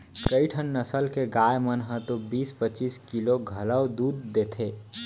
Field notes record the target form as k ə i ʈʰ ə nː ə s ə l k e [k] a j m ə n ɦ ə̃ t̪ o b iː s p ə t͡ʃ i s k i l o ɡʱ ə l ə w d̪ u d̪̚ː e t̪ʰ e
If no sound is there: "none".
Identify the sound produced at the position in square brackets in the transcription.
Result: ɡ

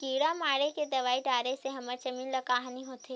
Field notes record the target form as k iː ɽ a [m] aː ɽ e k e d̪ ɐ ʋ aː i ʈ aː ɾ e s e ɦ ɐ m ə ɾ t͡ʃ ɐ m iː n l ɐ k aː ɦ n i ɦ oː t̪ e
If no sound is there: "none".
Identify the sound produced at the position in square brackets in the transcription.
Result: m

